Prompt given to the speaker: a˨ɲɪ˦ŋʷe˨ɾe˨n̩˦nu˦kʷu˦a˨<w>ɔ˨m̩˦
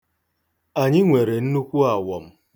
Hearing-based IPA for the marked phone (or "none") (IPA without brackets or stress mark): w